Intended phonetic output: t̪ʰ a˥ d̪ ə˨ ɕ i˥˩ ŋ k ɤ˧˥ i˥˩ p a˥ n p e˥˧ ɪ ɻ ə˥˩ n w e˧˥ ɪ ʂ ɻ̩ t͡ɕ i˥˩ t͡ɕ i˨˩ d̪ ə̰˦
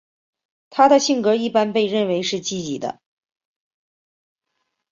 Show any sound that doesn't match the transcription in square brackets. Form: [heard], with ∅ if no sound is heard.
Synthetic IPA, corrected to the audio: t̪ʰ a˥ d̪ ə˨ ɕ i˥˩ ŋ k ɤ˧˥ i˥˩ p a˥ n p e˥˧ ɪ ɻ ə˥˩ n w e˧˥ ɪ ʂ ɻ̩ t͡ɕ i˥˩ t͡ɕ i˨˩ d̪ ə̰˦